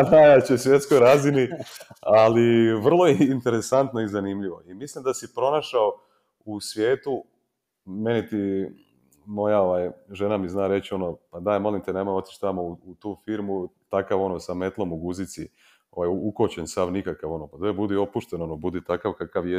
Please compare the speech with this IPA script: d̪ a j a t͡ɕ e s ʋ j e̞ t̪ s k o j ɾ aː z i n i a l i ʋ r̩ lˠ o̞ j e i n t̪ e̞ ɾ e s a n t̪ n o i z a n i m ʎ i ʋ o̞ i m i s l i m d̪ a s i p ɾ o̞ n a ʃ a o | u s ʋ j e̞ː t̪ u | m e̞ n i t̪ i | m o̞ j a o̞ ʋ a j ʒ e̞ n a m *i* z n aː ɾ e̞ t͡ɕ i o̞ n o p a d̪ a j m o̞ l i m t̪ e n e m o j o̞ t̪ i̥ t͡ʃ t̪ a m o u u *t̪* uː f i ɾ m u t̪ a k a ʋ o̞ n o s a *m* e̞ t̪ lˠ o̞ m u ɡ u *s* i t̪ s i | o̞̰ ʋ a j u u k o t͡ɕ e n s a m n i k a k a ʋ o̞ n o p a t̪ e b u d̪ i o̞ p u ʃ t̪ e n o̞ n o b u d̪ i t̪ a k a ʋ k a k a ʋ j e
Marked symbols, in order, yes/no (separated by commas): yes, yes, yes, no